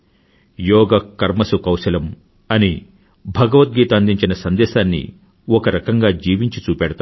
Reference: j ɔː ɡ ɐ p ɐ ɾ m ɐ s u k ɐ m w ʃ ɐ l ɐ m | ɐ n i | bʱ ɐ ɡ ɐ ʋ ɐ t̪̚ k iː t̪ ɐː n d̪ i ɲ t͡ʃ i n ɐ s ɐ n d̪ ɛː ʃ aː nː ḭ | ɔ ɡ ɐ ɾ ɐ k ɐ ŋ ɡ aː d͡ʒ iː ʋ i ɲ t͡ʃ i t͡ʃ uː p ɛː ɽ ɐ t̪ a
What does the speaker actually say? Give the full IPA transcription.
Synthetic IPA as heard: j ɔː ɡ ɐ k ɐ ɾ m ɐ s u k ɐ w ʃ ɐ l ɐ m | ɐ n i | bʱ ɐ ɡ ɐ ʋ ɐ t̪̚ ɡ iː t̪ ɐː n d̪ i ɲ t͡ʃ i n ɐ s ɐ n d̪ ɛː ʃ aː nː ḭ | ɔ k ɐ ɾ ɐ k ɐ ŋ ɡ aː d͡ʒ iː ʋ i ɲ t͡ʃ i t͡ʃ uː p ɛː ɽ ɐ t̪ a